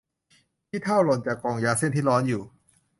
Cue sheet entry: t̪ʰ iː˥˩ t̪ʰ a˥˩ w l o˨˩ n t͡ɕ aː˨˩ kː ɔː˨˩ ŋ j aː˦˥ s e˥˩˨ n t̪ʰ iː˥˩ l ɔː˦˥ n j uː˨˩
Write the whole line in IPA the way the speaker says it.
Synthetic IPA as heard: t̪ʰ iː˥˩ t̪ʰ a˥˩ w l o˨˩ n t͡ɕ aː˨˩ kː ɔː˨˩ ŋ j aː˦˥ s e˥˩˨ n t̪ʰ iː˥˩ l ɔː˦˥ n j uː˨˩